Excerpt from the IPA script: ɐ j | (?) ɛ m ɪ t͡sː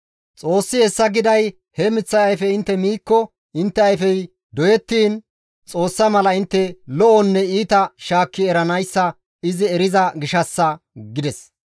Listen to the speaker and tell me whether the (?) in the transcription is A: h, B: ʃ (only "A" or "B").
A